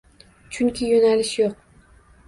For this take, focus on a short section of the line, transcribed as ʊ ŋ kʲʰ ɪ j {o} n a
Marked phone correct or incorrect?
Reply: correct